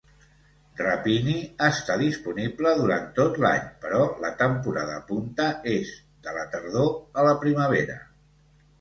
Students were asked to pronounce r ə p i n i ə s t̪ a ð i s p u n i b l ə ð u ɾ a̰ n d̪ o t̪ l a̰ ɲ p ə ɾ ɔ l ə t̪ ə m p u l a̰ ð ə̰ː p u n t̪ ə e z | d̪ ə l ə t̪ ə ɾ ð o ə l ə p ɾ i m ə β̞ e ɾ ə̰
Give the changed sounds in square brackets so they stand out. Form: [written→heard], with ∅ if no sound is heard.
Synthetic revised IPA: r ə p i n i ə s t̪ a ð i s p u n i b l ə ð u ɾ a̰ n [d̪→t̪] o t̪ l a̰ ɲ p ə ɾ ɔ l ə t̪ ə m p u [l→ɾ] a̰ ð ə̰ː p u n t̪ ə e z | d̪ ə l ə t̪ ə ɾ ð o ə l ə p ɾ i m ə β̞ e ɾ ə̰